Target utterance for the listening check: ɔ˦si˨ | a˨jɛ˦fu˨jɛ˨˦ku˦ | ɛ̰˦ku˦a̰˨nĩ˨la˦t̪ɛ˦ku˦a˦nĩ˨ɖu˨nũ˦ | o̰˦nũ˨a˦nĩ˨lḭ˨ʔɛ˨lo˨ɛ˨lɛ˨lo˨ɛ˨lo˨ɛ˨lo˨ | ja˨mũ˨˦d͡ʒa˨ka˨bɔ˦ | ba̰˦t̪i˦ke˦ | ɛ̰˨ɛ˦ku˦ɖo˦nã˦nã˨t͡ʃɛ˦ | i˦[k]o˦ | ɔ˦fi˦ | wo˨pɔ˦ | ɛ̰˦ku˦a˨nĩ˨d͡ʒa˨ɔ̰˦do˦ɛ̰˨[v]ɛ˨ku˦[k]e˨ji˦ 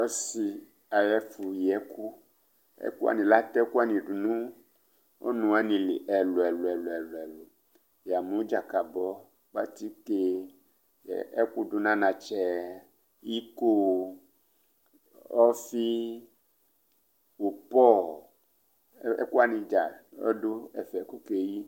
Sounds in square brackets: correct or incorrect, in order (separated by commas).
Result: correct, incorrect, correct